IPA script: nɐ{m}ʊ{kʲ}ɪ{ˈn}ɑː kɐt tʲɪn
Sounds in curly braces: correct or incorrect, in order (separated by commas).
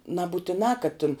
incorrect, incorrect, correct